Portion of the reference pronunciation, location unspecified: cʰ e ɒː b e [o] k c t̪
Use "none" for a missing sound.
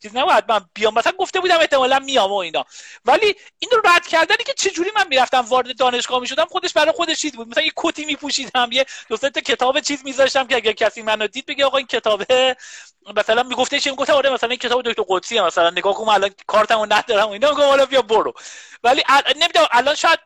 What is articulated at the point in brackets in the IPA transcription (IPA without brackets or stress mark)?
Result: o